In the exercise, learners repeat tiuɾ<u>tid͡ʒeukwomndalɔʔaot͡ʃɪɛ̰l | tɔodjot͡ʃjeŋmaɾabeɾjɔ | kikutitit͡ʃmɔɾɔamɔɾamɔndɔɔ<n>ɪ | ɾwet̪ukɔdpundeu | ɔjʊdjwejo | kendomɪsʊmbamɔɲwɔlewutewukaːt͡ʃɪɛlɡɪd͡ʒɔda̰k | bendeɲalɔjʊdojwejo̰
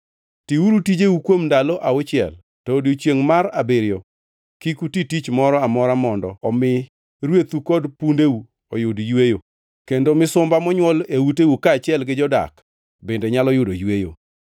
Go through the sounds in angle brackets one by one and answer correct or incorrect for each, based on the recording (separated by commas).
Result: correct, incorrect